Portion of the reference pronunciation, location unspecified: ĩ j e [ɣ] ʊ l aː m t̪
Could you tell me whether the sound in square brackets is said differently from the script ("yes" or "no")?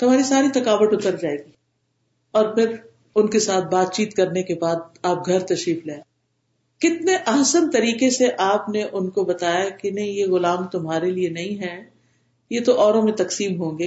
no